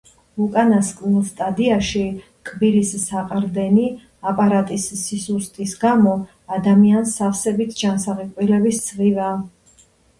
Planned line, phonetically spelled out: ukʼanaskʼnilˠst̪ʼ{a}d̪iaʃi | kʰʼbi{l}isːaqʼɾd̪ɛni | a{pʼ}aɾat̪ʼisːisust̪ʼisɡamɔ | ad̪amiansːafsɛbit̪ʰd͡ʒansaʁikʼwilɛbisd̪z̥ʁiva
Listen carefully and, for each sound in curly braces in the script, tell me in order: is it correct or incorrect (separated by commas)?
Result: correct, incorrect, correct